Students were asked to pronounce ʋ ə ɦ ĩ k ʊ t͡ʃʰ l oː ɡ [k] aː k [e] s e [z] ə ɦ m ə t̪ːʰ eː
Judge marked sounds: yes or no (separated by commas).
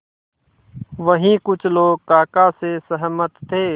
yes, no, no